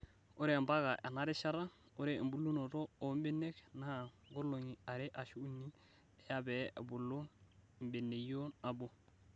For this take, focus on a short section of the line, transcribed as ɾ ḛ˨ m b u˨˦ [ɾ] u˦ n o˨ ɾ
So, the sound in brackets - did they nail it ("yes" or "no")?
no